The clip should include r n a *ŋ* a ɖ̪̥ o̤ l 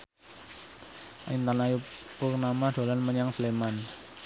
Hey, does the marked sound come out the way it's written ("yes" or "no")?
no